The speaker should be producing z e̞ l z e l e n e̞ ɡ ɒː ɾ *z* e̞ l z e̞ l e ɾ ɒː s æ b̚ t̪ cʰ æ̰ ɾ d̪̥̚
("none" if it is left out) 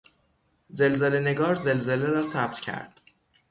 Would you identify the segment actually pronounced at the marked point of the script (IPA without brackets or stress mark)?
z